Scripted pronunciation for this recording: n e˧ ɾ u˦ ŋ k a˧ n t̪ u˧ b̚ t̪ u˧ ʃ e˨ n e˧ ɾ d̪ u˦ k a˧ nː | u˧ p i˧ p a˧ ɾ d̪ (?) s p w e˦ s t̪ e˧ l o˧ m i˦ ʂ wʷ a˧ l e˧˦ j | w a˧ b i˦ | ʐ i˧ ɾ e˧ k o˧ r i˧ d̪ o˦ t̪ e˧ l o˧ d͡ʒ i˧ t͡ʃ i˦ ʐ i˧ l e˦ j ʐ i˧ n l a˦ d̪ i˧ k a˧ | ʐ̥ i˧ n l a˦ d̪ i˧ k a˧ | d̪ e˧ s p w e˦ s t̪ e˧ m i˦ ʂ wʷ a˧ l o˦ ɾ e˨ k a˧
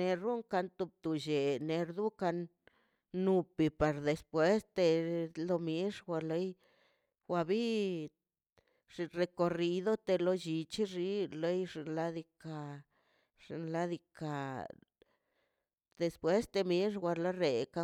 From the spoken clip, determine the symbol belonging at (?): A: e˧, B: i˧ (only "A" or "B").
A